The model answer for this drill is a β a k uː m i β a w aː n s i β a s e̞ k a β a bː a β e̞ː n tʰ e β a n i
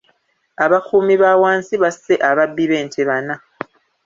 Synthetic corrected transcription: a β a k uː m i β a w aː n s i β a s e̞ ʔ a β a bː i β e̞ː n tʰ e β a n a